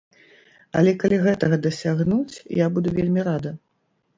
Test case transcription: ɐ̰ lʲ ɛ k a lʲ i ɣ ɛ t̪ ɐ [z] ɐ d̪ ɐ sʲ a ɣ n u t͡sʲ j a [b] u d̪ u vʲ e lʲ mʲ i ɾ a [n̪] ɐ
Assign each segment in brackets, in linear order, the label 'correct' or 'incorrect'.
incorrect, correct, incorrect

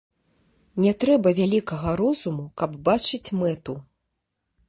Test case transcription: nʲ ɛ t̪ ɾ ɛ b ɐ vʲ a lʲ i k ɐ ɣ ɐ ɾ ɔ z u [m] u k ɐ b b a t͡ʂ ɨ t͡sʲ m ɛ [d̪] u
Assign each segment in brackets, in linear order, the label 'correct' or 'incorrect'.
correct, incorrect

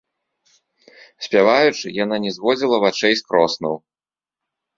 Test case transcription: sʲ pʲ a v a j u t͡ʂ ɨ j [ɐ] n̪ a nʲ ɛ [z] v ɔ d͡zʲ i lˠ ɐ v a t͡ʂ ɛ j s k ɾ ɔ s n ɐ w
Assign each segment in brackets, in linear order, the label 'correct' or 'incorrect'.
incorrect, correct

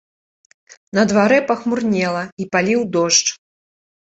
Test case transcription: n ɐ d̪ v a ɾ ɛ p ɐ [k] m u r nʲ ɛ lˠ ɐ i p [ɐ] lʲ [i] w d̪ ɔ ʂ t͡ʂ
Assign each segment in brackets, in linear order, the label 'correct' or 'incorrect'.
incorrect, incorrect, correct

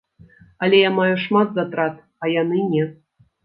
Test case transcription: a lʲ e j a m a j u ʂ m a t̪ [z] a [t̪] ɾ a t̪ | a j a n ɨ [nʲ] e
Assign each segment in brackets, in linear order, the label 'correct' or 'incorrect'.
correct, correct, correct

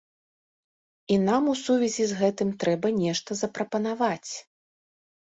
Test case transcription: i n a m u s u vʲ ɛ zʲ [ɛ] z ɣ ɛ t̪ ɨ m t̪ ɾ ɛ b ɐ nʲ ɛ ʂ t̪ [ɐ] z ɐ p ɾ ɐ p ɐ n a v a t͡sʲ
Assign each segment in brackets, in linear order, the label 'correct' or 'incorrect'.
incorrect, correct

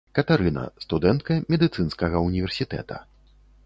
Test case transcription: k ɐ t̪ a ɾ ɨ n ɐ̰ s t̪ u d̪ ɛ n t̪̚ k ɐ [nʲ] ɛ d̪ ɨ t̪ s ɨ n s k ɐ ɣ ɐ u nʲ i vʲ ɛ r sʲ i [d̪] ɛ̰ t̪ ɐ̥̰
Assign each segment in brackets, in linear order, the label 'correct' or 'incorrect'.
incorrect, incorrect

